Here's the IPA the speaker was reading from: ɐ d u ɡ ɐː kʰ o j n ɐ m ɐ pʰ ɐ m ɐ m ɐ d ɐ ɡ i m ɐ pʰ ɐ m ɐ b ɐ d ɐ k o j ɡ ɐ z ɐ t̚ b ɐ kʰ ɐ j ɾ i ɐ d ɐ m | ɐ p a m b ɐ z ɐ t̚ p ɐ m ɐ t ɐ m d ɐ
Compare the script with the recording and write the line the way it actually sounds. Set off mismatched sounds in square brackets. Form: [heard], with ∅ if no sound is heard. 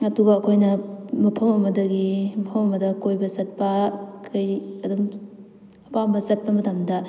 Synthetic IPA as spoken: ɐ d u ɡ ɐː kʰ o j n ɐ m ɐ pʰ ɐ m ɐ m ɐ d ɐ ɡ i m ɐ pʰ ɐ m ɐ [m] ɐ d ɐ k o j [b] ɐ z ɐ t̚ [p] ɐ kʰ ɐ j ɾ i ɐ d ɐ m | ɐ p a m b ɐ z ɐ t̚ p ɐ m ɐ t ɐ m d ɐ